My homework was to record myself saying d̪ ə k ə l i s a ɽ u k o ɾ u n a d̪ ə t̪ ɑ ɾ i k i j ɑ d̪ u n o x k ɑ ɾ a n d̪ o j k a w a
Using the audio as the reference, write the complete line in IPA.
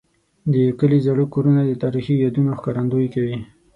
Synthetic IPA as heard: d̪ ə k ə l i z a ɽ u k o ɾ u n a d̪ ə t̪ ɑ ɾ i x i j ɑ d̪ u n o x k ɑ ɾ a n d̪ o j k a w i